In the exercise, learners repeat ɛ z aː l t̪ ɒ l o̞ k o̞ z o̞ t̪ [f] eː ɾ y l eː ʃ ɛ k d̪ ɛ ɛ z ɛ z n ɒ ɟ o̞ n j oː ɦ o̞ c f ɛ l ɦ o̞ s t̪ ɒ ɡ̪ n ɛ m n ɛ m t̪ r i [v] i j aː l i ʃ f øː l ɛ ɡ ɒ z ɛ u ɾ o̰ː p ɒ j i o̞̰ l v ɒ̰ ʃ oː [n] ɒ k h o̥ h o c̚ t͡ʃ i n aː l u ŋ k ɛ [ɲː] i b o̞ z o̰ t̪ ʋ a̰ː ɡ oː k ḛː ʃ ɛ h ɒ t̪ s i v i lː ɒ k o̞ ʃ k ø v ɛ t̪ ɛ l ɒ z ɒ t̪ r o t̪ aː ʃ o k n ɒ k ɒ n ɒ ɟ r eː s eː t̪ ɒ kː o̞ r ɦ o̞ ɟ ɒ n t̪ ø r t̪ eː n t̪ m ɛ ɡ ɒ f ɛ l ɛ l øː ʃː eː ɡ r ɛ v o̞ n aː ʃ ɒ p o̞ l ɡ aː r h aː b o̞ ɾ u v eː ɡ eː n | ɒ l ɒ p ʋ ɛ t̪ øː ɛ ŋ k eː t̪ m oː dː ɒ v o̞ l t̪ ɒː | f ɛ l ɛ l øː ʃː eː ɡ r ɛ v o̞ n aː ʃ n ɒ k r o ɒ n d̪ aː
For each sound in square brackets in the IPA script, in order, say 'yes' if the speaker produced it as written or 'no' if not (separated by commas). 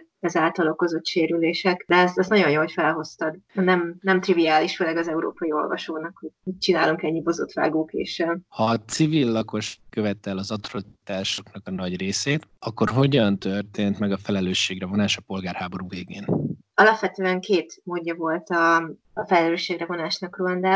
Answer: no, yes, yes, yes